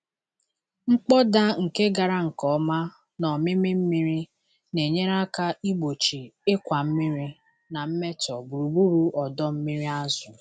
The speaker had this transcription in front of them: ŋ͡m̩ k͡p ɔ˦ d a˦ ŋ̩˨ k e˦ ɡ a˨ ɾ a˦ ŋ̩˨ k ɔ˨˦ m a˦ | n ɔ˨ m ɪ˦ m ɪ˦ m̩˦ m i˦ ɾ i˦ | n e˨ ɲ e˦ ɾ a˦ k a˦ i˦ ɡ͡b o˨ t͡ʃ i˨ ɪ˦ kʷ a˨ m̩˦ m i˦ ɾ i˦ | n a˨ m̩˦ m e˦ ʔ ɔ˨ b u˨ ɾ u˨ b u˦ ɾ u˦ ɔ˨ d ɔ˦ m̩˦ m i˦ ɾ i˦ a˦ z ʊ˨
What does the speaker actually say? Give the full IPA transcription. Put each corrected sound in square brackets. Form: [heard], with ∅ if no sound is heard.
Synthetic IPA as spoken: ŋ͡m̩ k͡p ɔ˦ d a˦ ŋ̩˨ k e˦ ɡ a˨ ɾ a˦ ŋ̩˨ k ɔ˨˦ m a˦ | n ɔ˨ m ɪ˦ m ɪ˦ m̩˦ m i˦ ɾ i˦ | n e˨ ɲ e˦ ɾ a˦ k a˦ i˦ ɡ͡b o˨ t͡ʃ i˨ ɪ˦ kʷ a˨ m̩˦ m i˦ ɾ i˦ | n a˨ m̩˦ m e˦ [t] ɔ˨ b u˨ ɾ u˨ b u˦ ɾ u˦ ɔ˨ d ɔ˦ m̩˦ m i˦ ɾ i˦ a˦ z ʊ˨